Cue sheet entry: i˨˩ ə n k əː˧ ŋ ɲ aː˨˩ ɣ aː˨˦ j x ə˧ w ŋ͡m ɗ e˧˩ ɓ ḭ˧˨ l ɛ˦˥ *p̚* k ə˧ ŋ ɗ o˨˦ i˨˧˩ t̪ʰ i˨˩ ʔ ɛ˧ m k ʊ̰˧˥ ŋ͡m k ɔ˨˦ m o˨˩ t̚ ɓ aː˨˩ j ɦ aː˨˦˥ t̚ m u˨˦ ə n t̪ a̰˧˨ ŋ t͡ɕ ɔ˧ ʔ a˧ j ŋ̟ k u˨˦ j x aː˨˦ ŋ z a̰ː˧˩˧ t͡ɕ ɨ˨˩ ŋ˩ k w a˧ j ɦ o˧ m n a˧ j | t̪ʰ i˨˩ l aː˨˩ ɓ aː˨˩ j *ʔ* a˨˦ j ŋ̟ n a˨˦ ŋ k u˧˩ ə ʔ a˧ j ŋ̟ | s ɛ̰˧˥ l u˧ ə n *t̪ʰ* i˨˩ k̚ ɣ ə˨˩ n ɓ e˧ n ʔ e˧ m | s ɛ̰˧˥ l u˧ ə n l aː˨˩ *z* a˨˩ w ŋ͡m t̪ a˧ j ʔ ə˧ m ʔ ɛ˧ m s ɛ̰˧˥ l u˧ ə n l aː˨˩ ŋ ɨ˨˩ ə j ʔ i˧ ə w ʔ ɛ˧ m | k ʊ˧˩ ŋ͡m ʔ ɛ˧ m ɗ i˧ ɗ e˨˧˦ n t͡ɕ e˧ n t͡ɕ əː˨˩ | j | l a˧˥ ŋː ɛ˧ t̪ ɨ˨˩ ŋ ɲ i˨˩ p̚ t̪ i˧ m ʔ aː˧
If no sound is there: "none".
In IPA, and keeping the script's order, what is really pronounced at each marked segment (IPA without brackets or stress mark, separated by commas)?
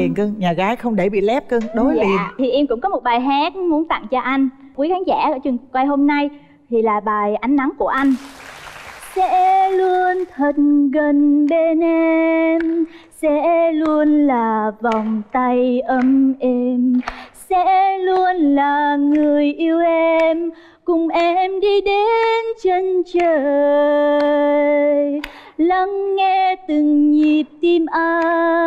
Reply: p̚, ʔ, t̪ʰ, v